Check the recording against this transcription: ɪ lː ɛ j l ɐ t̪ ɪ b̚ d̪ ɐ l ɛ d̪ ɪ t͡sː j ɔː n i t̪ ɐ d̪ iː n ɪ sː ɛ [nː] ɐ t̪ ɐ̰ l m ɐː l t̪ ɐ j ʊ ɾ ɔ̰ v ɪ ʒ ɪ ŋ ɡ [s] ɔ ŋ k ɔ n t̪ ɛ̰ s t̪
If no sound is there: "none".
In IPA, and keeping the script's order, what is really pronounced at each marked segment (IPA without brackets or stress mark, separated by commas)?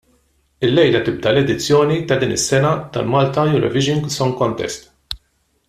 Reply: n, s